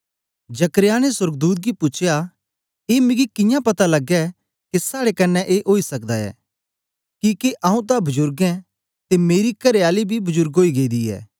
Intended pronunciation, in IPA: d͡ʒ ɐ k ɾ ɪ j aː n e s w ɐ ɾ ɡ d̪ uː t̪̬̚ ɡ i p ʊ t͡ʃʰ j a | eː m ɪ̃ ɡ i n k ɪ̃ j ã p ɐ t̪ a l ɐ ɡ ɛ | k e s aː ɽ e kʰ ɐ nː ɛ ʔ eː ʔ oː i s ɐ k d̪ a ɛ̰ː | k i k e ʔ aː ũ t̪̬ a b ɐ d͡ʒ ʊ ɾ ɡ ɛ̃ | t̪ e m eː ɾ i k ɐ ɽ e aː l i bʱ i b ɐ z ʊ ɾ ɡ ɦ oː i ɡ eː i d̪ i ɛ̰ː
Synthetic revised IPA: d͡ʒ ɐ k ɾ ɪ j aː n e s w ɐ ɾ ɡ d̪ uː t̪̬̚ ɡ i p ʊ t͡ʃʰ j a | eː m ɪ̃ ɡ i k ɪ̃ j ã p ɐ t̪ a l ɐ ɡ ɛ | k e s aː ɽ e k ɐ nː ɛ ʔ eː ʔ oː i s ɐ k d̪ a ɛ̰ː | k i k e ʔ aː ũ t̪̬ a b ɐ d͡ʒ ʊ ɾ ɡ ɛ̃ | t̪ e m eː ɾ i k ɐ ɾ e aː l i bʱ i b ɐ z ʊ ɾ ɡ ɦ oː i ɡ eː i d̪ i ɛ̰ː

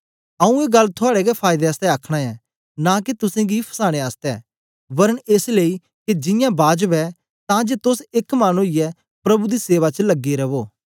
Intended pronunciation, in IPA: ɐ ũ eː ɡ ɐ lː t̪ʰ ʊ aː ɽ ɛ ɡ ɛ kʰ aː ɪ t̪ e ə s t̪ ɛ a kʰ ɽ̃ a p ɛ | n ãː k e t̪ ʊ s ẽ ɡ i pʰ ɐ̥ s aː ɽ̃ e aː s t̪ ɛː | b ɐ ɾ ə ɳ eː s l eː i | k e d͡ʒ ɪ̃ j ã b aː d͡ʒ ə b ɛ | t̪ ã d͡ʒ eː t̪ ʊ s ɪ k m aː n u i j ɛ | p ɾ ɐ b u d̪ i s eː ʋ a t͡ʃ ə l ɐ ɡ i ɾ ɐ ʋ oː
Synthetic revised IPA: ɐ ũ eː ɡ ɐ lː t̪ʰ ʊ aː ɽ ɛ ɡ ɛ pʰ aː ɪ d̪ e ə s t̪ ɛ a kʰ ɽ̃ a ɛ | n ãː k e t̪ ʊ s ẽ ɡ i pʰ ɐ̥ s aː ɽ̃ e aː s t̪ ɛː | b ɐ ɾ ə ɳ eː s l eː i | k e d͡ʒ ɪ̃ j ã b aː d͡ʒ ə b ɛ | t̪ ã d͡ʒ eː t̪ ʊ s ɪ k m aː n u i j ɛ | p ɾ ɐ b u d̪ i s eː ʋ a t͡ʃ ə l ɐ ɡ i ɾ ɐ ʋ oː

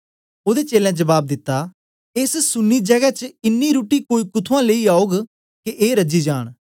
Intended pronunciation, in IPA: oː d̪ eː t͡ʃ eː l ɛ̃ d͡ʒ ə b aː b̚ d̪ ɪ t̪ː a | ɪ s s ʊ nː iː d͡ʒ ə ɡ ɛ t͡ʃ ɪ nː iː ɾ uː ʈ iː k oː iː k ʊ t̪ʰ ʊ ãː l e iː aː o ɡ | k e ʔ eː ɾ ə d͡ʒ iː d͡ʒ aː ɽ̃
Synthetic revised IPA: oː d̪ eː t͡ʃ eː l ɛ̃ d͡ʒ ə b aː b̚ d̪ ɪ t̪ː a | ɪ s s ʊ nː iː d͡ʒ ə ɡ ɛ t͡ʃ ɪ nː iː ɾ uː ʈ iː k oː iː k ʊ t̪ʰ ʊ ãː l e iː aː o ɡ | k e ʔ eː ɾ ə d͡ʒ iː d͡ʒ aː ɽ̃

